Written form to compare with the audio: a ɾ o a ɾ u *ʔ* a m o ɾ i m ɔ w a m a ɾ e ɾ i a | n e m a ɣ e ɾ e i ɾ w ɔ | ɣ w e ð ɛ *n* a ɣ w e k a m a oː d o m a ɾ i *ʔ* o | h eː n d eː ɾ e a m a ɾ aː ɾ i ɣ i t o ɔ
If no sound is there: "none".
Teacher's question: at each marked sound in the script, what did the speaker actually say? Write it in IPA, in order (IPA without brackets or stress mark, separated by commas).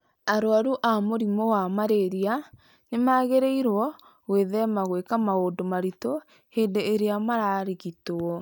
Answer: ʔ, m, t